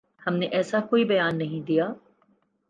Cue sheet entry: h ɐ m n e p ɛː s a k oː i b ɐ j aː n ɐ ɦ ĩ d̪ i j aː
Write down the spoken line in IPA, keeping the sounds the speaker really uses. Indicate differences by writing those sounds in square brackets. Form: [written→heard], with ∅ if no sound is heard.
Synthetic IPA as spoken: h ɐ m n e [p→ʔ] ɛː s a k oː i b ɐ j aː [n→nː] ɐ ɦ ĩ d̪ i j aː